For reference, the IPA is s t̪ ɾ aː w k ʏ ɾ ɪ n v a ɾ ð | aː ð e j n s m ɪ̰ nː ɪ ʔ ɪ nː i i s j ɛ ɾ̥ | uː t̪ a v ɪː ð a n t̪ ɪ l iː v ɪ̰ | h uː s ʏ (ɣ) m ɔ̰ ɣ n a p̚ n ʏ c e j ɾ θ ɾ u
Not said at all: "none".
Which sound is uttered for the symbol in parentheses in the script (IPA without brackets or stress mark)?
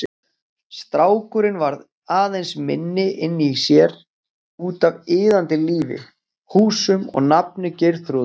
none